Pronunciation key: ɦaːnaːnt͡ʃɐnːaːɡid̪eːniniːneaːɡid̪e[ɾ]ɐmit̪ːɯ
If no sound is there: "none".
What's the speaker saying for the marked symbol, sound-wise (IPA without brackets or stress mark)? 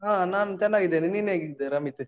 ɾ